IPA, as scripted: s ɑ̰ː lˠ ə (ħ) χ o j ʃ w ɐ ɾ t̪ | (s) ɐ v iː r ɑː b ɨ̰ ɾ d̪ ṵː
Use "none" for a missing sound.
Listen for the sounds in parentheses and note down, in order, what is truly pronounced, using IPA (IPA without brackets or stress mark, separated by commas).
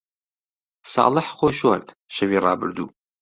ħ, ʃ